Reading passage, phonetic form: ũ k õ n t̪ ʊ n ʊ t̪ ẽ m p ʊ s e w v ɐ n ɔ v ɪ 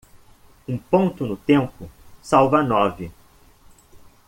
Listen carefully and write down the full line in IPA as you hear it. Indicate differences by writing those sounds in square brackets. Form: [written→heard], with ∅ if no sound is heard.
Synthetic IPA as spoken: ũ [k→p] õ n t̪ ʊ n ʊ t̪ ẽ m p ʊ s [e→a] w v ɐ n ɔ v ɪ